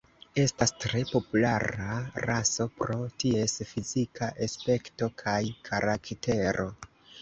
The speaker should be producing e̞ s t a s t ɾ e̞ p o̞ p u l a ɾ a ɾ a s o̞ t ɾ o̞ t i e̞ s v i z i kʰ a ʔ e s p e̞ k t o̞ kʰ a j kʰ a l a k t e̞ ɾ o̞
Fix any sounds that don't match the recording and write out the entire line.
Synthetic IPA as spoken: e̞ s t a s t ɾ e̞ p o̞ p u l a ɾ a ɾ a s o̞ p ɾ o̞ t i e̞ s f i z i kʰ a ʔ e s p e̞ k t o̞ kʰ a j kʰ a ɾ a k t e̞ ɾ o̞